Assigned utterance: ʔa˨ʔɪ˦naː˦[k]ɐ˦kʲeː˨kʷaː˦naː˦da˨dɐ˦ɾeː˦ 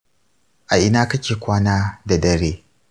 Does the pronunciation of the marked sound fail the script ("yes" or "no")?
no